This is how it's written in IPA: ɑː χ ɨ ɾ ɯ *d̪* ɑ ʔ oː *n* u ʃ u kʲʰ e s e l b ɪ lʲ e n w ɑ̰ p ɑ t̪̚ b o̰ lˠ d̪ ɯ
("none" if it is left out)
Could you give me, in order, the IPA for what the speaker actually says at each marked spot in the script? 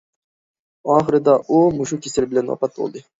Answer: d̪, m

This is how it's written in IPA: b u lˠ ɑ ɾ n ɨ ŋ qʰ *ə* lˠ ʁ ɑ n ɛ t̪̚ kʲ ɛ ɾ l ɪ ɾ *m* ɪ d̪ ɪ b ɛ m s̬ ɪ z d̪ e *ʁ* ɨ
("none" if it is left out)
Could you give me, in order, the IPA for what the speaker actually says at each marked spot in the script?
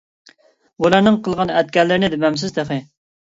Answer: ə, n, χ

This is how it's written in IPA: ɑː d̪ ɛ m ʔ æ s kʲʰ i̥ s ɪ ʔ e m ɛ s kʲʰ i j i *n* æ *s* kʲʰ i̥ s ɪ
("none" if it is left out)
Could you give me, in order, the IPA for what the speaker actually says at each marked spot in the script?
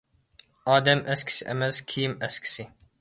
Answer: m, s

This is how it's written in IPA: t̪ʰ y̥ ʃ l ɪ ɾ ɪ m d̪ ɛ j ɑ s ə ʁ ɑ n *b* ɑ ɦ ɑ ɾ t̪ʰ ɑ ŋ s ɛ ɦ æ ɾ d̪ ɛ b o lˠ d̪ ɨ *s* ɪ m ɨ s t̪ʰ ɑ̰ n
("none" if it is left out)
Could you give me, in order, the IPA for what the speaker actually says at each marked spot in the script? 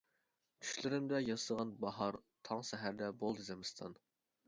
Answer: b, z

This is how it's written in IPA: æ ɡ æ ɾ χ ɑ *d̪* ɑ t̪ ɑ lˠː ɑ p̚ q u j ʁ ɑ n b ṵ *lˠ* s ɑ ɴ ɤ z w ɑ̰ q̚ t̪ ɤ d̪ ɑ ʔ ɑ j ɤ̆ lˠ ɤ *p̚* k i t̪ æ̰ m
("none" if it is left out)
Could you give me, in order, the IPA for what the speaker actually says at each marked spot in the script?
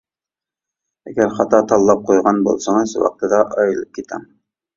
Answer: t̪, lˠ, p̚

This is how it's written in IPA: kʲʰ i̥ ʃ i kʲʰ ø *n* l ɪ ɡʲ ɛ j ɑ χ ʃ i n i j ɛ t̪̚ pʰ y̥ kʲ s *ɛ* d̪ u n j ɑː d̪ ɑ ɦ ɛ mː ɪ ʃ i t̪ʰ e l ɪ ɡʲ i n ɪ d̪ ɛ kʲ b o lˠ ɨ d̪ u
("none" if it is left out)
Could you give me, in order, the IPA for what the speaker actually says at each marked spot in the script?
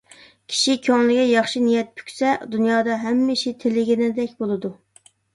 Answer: ŋ, ɛ

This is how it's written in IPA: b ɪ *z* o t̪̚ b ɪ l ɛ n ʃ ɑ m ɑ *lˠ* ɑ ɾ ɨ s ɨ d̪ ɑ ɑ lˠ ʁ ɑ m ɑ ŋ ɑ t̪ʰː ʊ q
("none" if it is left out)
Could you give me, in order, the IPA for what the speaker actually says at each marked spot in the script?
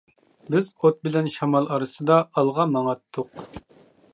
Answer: z, lˠ

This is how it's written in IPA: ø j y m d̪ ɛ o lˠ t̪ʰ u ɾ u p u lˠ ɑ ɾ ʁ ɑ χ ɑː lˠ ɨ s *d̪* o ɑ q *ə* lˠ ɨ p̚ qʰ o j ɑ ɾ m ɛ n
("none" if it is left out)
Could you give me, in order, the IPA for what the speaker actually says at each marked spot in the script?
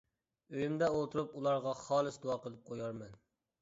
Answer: d̪, ə

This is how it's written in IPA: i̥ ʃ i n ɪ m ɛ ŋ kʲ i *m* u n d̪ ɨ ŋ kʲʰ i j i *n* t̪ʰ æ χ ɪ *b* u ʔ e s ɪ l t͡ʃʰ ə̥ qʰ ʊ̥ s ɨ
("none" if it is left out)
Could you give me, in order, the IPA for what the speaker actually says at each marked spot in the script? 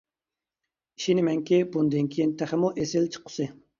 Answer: b, n, m

